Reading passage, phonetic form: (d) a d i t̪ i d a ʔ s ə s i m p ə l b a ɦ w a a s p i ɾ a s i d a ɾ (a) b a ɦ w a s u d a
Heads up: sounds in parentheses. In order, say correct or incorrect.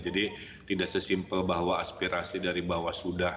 incorrect: d͡ʒ, incorrect: i

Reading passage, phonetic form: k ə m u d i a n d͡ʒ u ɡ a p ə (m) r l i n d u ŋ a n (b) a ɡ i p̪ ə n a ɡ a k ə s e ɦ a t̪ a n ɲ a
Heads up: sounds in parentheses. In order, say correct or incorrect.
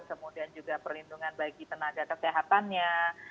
incorrect: none, correct

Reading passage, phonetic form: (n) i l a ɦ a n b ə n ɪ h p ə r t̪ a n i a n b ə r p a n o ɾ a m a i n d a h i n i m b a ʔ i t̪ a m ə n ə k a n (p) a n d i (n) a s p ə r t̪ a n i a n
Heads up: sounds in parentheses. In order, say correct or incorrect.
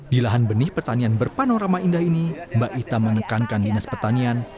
incorrect: d, incorrect: k, correct

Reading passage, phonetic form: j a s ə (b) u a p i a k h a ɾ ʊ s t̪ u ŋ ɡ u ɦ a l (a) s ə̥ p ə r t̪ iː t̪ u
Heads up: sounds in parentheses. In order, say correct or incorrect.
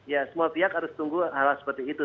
incorrect: m, correct

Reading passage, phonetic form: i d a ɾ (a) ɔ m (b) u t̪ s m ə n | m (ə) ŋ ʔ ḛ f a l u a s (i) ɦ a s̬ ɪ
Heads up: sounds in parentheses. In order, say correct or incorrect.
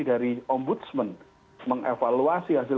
incorrect: i, correct, correct, correct

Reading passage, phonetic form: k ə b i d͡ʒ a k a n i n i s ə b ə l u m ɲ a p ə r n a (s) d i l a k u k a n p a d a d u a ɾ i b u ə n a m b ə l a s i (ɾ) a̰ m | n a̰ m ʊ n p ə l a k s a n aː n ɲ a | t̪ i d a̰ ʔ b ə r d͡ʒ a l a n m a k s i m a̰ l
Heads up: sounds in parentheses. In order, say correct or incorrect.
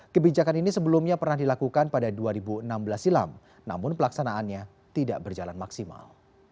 incorrect: h, incorrect: l

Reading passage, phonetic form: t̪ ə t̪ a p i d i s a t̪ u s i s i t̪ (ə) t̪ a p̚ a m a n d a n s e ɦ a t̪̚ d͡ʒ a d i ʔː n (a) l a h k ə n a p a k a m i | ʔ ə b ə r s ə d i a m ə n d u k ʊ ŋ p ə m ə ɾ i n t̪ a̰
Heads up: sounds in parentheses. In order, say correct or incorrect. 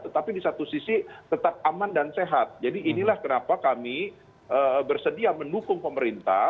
correct, incorrect: i

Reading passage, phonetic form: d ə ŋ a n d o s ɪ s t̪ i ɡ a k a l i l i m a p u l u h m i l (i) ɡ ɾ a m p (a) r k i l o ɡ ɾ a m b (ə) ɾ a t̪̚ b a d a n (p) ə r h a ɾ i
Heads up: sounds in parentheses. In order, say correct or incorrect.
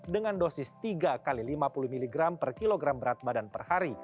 correct, incorrect: ə, correct, correct

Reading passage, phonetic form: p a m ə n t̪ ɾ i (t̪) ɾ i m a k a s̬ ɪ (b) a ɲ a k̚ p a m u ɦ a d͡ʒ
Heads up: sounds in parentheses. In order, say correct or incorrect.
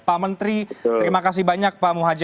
correct, correct

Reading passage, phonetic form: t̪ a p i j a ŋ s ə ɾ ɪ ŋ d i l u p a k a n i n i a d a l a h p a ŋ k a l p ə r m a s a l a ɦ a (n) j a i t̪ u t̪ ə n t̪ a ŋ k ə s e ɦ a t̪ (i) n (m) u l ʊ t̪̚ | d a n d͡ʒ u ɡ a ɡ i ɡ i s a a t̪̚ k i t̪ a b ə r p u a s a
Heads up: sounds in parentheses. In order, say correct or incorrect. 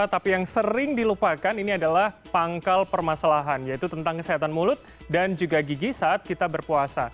correct, incorrect: a, correct

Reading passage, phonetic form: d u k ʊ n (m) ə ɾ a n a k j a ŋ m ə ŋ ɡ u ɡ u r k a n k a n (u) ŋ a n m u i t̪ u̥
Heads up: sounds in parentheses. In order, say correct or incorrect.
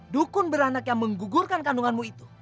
incorrect: b, correct

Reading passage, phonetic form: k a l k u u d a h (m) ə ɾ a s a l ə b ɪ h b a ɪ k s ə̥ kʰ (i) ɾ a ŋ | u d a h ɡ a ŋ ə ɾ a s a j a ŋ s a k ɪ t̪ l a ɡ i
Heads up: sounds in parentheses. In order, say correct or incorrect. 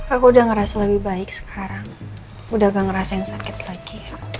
incorrect: ŋ, incorrect: a

